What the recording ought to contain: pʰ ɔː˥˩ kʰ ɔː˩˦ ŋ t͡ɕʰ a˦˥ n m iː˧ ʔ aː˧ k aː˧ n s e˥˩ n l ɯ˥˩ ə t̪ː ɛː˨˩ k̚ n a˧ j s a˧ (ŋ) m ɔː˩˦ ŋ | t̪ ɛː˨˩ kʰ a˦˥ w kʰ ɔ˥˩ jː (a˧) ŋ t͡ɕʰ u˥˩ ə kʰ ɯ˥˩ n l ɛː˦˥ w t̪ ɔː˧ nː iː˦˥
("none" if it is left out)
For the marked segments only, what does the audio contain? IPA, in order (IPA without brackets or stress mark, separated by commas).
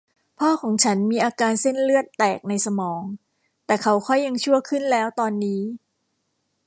none, a˧